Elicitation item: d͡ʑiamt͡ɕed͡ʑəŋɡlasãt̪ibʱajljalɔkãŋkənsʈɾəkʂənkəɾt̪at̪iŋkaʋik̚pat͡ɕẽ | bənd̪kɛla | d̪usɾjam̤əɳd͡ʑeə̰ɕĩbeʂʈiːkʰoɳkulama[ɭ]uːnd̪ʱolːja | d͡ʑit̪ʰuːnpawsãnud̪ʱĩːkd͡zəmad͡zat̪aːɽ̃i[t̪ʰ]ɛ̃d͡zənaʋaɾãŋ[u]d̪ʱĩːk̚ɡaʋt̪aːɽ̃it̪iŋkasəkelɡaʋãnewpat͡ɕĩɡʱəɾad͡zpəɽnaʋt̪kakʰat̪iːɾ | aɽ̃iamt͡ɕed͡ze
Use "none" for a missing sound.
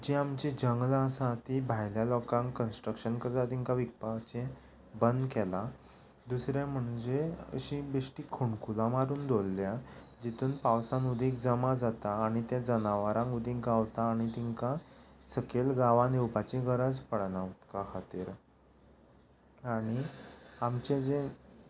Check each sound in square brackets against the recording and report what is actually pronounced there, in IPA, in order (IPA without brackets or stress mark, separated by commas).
ɾ, t̪, u